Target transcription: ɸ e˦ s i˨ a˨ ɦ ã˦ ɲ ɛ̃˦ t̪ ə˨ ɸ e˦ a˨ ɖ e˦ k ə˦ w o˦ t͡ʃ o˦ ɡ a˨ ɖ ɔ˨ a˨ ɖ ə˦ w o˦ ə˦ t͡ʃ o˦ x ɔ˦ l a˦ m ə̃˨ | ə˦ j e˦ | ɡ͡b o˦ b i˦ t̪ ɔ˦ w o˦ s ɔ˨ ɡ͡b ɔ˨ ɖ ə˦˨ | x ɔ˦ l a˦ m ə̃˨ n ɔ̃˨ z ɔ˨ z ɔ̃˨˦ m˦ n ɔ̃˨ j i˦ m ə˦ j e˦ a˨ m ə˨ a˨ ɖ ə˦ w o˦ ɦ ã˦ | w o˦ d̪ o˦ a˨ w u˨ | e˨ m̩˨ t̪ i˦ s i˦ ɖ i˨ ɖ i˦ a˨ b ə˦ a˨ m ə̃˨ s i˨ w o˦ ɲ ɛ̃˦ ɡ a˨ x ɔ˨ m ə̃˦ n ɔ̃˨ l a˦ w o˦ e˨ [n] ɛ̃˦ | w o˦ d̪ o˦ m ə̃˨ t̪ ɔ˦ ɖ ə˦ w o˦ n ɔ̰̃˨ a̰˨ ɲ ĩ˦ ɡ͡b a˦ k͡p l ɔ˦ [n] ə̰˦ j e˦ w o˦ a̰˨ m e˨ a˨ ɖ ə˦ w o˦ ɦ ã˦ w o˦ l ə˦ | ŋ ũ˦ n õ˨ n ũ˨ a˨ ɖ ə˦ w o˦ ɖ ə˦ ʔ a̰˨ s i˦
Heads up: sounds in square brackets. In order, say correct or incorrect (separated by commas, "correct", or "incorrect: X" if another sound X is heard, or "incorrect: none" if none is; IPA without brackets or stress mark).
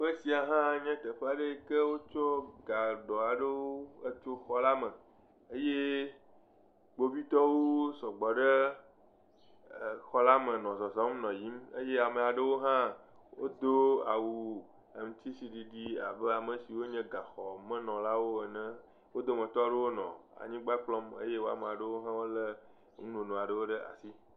correct, incorrect: m